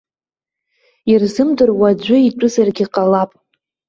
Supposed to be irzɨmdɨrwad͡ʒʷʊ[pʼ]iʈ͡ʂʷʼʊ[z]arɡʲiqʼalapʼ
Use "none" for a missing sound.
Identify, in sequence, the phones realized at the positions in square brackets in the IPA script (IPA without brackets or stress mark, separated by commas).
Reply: none, z